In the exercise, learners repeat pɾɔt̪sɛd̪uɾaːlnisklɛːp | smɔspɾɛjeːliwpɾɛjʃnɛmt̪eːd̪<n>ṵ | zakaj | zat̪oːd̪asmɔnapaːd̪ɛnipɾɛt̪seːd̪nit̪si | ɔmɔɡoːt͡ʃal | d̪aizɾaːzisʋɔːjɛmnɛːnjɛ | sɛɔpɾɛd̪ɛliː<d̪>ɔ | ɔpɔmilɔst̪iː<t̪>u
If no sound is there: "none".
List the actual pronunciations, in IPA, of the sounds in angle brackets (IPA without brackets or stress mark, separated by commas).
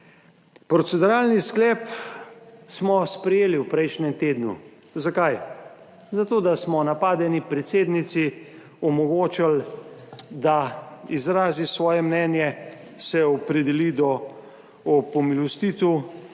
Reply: n, d̪, t̪